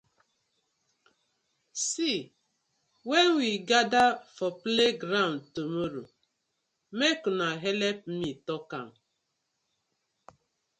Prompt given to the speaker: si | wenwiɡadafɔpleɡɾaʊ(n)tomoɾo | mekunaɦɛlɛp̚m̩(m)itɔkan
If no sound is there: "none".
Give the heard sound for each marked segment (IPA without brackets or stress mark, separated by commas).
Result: n, m